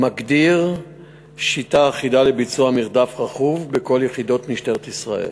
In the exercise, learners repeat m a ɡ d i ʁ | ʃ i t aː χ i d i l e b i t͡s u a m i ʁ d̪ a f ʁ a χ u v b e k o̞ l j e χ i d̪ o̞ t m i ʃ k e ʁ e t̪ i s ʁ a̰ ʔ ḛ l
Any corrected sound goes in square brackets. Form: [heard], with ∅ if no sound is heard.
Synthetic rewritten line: m a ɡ d i ʁ | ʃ i t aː χ i d [a] l e b i t͡s u a m i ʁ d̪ a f ʁ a χ u v b e k o̞ l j e χ i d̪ o̞ t m i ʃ [t] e ʁ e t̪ i s ʁ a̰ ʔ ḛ l